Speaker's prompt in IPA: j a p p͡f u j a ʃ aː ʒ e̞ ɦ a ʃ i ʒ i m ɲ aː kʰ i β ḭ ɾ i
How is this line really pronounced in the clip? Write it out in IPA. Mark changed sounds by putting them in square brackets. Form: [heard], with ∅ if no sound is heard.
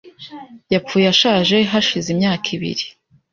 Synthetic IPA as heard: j a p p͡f u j a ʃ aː ʒ e̞ ɦ a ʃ i [z] i m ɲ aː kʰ i β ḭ ɾ i